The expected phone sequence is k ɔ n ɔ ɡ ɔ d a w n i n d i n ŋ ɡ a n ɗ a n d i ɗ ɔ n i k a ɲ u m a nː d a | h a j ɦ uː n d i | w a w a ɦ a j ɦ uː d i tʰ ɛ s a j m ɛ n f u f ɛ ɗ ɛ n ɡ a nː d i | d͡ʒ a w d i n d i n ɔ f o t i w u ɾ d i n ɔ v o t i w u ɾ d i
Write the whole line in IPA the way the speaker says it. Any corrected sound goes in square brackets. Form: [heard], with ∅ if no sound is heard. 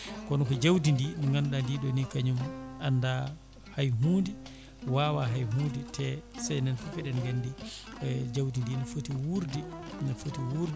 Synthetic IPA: k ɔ n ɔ [k] ɔ [d͡ʒ] a w [d] i n d i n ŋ ɡ a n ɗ a n d i ɗ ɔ n i k a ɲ u m a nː d a | h a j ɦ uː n d i | w a w a ɦ a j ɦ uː d i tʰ ɛ s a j [n] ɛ n f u f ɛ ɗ ɛ n ɡ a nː d i | d͡ʒ a w d i n d i n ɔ f o t i w u ɾ d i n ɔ [f] o t i w u ɾ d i